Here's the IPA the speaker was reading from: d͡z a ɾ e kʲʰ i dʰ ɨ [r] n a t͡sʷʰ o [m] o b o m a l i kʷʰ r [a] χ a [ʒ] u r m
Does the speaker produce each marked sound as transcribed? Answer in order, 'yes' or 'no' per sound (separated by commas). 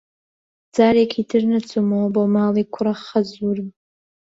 yes, yes, yes, no